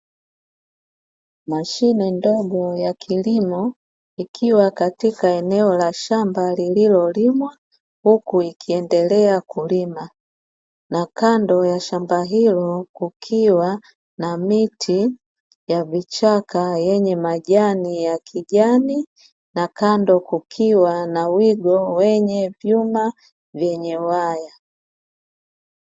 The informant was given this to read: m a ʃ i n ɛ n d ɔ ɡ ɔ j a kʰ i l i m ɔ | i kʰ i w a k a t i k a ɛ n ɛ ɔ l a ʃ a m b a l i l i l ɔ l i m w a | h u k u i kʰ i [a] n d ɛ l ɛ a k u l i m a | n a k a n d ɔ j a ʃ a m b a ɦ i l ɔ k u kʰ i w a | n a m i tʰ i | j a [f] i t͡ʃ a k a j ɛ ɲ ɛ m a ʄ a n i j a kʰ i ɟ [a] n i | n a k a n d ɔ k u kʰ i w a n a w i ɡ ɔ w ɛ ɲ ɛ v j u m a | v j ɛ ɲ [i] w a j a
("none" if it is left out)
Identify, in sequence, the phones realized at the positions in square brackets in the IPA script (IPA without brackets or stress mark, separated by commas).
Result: ɛ, v, a, ɛ